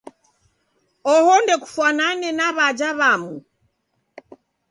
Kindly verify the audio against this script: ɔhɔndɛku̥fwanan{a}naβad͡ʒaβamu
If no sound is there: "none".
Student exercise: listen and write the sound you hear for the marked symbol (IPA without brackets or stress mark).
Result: ɛ